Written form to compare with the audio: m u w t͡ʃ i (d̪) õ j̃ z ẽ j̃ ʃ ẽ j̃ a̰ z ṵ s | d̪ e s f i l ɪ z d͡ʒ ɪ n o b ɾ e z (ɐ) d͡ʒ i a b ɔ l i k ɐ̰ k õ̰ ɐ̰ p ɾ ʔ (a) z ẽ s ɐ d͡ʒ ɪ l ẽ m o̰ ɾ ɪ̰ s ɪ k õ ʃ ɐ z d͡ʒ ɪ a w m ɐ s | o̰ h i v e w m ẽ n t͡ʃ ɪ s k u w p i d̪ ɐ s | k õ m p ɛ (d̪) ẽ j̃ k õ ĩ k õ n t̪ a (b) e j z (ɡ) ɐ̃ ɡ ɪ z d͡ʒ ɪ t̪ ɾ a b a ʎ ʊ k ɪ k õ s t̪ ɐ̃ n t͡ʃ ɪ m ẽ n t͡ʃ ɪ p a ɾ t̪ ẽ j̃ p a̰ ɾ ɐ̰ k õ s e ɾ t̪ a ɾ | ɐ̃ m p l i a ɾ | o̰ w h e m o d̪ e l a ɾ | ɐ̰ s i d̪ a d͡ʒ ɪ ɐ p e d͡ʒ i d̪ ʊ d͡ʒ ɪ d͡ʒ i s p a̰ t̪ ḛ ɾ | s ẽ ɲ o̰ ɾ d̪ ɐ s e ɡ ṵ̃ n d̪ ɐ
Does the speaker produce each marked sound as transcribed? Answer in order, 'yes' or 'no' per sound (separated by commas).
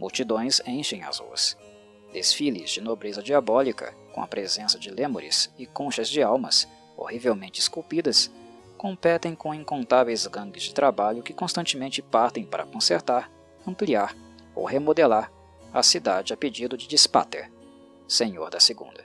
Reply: yes, yes, no, no, no, yes